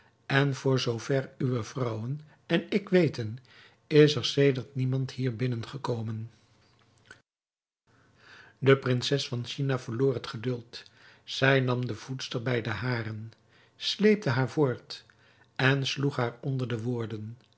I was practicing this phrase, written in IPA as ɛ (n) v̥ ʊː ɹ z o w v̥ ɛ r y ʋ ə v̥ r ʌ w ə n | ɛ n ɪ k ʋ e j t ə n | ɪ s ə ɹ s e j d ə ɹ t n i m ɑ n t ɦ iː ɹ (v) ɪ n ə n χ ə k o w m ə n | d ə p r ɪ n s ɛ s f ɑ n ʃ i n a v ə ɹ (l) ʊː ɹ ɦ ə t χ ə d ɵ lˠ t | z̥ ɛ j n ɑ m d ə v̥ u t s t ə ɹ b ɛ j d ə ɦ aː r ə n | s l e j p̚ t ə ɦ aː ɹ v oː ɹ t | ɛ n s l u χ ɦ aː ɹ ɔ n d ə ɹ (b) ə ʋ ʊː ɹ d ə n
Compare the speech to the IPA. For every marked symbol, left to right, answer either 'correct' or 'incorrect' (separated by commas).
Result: correct, incorrect, correct, incorrect